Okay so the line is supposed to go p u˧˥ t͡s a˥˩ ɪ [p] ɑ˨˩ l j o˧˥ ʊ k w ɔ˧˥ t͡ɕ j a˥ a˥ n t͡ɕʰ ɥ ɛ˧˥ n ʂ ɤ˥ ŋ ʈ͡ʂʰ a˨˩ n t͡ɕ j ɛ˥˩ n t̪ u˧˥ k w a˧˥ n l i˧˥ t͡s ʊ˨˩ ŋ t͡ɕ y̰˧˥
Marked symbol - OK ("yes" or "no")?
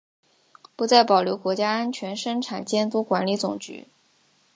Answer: yes